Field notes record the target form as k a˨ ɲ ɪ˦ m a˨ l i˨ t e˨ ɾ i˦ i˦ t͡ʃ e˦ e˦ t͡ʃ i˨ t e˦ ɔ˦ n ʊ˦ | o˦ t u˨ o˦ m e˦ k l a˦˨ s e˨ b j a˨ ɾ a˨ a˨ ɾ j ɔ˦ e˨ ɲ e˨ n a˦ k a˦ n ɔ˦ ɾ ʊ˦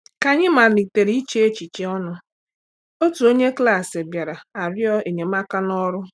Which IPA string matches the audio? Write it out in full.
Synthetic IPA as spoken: k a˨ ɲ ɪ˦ m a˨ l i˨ t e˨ ɾ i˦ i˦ t͡ʃ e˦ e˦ t͡ʃ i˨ t͡ʃ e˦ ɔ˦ n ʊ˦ | o˦ t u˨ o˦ ɲ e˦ k l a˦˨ s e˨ b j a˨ ɾ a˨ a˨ ɾ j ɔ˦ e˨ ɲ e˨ m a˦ k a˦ n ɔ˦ ɾ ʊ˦